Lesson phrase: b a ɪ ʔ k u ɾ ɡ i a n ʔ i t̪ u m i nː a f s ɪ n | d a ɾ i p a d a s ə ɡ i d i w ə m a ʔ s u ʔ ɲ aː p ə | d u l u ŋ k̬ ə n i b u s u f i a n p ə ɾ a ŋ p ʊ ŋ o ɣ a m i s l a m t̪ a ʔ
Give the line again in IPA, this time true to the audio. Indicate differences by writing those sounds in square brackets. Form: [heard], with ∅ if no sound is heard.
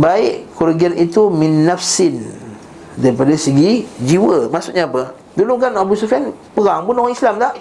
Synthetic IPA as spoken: b a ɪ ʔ k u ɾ ɡ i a n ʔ i t̪ u m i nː a f s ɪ n | d a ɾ i p a d a s ə ɡ i [d͡ʒ] i w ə m a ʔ s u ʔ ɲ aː p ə | d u l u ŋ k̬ [a] n [a] b u s u f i a n p ə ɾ a ŋ p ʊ [n] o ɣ a [ŋ] i s l a m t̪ a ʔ